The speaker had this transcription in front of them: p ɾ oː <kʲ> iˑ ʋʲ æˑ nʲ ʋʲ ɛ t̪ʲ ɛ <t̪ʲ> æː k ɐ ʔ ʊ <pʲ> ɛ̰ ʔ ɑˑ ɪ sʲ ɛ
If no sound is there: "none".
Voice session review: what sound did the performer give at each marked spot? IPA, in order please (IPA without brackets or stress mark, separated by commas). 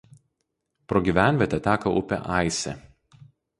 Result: ɡʲ, t̪ʲ, pʲ